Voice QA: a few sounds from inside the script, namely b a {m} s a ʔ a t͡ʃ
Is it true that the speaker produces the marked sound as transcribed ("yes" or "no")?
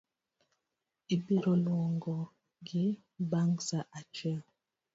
no